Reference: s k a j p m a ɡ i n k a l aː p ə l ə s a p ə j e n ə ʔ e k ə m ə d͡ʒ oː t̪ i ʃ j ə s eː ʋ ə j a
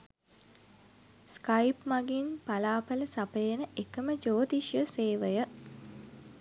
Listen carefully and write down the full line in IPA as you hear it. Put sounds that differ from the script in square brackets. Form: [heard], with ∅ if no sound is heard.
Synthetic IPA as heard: s k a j p m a ɡ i n [p] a l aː p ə l ə s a p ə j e n ə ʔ e k ə m ə d͡ʒ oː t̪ i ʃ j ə s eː ʋ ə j [ə]